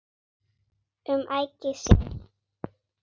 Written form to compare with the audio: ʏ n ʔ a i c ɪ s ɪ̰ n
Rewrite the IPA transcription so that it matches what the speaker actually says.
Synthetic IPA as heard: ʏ m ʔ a j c ɪ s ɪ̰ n

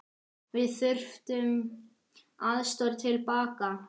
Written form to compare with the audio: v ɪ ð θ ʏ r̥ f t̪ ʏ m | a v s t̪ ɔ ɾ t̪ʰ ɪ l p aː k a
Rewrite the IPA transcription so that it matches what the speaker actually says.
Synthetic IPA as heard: v ɪ ð θ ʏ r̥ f t̪ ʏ m | a ð s t̪ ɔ ɾ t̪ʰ ɪ l p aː k a

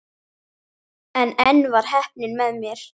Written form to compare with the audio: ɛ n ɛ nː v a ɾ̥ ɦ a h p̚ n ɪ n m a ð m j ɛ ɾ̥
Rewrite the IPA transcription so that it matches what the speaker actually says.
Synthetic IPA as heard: ɛ n ɛ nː v a ɾ̥ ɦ ɛ h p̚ n ɪ n m ɛ ð m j ɛ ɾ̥

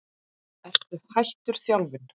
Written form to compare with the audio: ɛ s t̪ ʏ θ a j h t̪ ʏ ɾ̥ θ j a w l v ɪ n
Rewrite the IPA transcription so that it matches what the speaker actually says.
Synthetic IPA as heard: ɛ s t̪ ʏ h a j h t̪ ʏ ɾ̥ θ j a w l v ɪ n

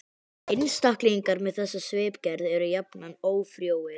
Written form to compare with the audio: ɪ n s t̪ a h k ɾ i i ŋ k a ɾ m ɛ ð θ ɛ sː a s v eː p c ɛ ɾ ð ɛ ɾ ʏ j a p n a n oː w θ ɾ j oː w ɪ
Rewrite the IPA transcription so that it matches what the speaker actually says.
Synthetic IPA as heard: ɪ n s t̪ a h k l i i ŋ k a ɾ m ɛ ð θ ɛ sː a s v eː p c ɛ ɾ ð ɛ ɾ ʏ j a p n a n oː w f ɾ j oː w ɪ

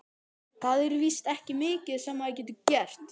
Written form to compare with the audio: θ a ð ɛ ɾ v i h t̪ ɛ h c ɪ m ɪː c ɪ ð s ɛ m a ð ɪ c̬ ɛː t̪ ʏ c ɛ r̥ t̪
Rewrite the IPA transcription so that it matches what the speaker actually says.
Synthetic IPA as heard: θ a ð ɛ ɾ v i s t̪ ɛ h c ɪ m ɪː c ɪ ð s ɛ m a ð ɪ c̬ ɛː t̪ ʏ c ɛ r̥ t̪

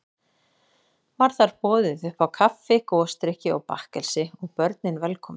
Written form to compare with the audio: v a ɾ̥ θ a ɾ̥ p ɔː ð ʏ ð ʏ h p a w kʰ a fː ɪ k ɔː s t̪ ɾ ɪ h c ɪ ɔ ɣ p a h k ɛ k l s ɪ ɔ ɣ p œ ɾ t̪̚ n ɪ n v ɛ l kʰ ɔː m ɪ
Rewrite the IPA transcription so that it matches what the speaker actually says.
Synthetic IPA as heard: v a ɾ̥ θ a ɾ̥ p ɔː ð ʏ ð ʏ h p a w kʰ a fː ɪ k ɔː s t̪ ɾ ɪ h c ɪ ɔ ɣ p a h k ɛ l s ɪ ɔ ɣ p œ ɾ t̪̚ n ɪ n v ɛ l kʰ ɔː m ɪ

